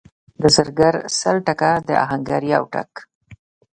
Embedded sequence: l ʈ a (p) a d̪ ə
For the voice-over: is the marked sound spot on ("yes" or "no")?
no